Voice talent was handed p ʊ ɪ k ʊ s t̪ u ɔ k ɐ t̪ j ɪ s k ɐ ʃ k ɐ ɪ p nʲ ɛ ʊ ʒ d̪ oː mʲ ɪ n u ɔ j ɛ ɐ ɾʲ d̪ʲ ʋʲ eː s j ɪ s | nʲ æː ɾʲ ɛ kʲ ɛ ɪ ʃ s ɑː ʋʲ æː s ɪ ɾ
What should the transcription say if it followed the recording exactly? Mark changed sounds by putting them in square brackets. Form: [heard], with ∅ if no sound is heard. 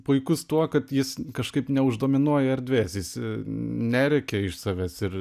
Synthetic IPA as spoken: p ʊ ɪ k ʊ s t̪ u ɔ k ɐ t̪ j ɪ s k ɐ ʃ k ɐ ɪ p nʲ ɛ ʊ ʒ d̪ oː mʲ ɪ n u ɔ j ɛ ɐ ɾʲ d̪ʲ ʋʲ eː s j ɪ s | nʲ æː ɾʲ ɛ kʲ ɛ ɪ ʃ s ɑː ʋʲ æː s ɪ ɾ